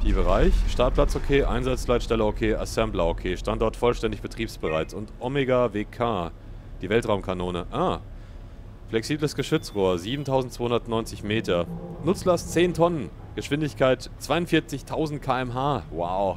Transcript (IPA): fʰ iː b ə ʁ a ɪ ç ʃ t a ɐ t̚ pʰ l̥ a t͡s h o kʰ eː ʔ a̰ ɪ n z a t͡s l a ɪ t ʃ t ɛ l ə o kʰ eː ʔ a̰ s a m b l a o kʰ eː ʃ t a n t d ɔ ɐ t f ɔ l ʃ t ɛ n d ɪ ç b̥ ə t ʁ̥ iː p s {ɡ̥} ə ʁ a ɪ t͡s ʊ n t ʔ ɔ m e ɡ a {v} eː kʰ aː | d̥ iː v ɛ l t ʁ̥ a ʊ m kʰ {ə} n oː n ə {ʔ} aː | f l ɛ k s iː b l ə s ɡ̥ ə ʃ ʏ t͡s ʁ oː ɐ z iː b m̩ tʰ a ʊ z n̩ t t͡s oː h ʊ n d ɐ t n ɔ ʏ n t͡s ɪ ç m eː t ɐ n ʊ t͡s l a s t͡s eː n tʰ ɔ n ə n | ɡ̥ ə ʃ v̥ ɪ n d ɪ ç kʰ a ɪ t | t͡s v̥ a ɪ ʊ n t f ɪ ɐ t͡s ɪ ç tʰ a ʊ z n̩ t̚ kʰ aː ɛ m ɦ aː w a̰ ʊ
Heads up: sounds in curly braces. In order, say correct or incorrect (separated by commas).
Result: incorrect, correct, incorrect, correct